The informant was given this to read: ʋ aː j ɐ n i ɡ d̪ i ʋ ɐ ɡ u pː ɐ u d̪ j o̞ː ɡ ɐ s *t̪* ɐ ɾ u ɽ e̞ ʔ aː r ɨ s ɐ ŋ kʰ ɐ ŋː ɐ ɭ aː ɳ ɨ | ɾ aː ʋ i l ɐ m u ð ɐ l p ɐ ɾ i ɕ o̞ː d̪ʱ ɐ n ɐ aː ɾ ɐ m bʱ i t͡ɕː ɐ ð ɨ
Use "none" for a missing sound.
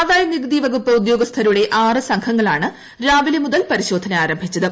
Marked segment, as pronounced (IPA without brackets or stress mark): t̪ʰ